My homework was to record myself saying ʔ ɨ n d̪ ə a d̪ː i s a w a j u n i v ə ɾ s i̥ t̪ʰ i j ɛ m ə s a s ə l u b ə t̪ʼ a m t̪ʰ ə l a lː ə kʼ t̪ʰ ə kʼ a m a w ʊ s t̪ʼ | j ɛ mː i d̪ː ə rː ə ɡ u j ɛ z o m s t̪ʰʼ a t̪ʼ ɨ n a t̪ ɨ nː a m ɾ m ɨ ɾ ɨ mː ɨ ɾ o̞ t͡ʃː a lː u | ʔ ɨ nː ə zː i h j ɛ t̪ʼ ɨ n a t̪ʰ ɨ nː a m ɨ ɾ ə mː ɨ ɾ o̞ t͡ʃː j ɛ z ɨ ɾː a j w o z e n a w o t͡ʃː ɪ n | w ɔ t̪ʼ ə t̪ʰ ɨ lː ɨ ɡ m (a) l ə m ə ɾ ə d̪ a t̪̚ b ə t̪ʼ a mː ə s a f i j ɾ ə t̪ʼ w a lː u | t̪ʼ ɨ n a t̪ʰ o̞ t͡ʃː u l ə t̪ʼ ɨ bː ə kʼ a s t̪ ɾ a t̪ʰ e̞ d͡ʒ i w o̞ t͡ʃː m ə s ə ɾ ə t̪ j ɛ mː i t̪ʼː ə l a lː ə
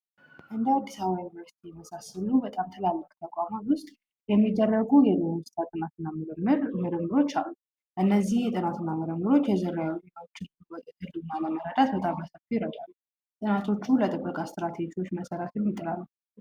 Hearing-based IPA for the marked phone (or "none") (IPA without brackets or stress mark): a